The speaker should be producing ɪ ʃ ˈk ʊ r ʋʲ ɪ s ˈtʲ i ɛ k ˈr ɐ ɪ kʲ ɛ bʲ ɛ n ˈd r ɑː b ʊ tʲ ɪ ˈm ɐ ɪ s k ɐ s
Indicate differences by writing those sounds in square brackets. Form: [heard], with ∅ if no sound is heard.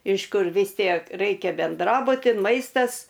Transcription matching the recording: ɪ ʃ ˈk ʊ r ʋʲ ɪ s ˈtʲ i ɛ k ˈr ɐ ɪ kʲ ɛ bʲ ɛ n ˈd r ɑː b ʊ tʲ ɪ ˈm ɐ ɪ s [t] ɐ s